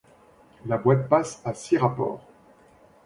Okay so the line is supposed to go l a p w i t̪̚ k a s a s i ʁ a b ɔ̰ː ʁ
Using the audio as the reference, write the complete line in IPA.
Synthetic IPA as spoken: l a b w a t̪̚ p a s a s i ʁ a p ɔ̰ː ʁ